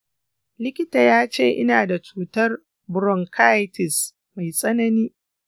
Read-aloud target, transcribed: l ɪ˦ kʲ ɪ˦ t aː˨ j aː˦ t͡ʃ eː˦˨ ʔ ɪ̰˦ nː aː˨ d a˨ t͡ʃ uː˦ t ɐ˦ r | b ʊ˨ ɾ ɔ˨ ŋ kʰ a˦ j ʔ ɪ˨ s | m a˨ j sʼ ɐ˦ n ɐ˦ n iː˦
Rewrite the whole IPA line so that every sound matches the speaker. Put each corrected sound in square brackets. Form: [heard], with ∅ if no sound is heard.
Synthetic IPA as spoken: l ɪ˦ kʲ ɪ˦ t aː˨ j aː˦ t͡ʃ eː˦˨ ʔ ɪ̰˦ [n] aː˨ d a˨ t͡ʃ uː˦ t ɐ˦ r | b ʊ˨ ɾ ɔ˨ ŋ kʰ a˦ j [t] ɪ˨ s | m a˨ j sʼ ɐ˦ n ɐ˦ n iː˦